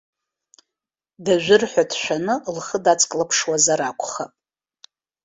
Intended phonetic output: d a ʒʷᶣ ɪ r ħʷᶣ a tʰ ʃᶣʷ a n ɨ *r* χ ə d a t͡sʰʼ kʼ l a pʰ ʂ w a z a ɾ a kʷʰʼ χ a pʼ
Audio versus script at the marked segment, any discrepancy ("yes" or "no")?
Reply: yes